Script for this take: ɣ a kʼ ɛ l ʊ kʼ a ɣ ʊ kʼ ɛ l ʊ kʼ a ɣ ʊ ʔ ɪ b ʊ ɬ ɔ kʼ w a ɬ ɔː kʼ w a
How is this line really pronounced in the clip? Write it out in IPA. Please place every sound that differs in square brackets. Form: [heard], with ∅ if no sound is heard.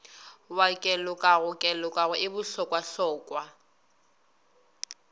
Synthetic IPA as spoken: [w] a kʼ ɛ l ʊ kʼ a ɣ ʊ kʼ ɛ l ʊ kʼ a ɣ ʊ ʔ ɪ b ʊ ɬ ɔ kʼ w a ɬ ɔː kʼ w a